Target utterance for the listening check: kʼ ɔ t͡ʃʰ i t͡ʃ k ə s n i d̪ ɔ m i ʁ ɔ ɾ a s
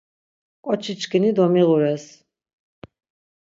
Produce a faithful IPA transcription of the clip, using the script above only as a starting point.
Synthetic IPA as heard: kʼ ɔ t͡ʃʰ i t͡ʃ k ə n i d̪ ɔ m i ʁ u ɾ ɛ s